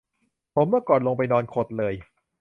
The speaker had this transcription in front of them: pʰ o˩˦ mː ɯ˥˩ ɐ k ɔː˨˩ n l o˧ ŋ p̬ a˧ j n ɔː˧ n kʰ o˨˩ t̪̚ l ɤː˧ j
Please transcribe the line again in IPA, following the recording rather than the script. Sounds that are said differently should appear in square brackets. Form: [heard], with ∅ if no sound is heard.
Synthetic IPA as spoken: pʰ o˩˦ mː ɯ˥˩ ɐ k ɔː˨˩ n l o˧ ŋ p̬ a˧ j n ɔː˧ n kʰ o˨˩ t̪̚ l ɤː˧ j